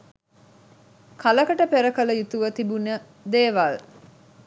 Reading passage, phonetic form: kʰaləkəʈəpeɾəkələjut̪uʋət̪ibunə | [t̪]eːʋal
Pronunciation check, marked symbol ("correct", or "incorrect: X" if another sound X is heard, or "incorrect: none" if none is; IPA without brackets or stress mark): incorrect: d̪